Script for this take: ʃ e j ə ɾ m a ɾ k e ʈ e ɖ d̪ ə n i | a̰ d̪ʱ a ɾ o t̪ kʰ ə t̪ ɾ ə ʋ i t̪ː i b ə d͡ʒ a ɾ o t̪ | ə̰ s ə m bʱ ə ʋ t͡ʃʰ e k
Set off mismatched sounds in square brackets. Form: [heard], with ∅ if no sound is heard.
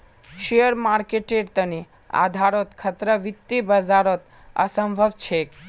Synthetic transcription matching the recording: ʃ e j ə ɾ m a ɾ k e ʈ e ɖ [t̪] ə n i | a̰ d̪ʱ a ɾ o t̪ kʰ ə t̪ ɾ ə ʋ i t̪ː i b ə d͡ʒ a ɾ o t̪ | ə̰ s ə m bʱ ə ʋ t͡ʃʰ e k